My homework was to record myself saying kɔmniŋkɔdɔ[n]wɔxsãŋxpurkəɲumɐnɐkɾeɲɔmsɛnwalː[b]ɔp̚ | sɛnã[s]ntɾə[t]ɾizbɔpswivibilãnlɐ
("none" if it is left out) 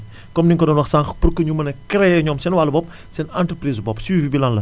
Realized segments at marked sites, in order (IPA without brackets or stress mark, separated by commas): n, b, none, p